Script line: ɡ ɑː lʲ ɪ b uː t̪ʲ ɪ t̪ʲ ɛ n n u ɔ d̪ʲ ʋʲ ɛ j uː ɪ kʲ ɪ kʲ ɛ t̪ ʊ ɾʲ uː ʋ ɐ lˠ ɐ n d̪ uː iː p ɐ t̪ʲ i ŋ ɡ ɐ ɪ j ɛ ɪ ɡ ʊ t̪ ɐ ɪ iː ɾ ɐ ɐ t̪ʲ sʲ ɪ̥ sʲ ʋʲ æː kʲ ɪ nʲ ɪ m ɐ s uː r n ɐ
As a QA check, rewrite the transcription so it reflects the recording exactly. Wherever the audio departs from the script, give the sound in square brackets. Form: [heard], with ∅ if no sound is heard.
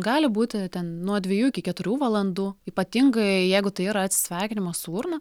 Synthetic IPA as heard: ɡ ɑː lʲ ɪ b uː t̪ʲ ɪ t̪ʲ ɛ n n u ɔ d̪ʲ ʋʲ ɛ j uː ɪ kʲ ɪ kʲ ɛ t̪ ʊ ɾʲ uː ʋ ɐ lˠ ɐ n d̪ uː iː p ɐ t̪ʲ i ŋ ɡ ɐ ɪ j ɛ ɪ ɡ ʊ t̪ ɐ ɪ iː ɾ ɐ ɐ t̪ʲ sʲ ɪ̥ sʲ ʋʲ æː kʲ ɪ nʲ ɪ m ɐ s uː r n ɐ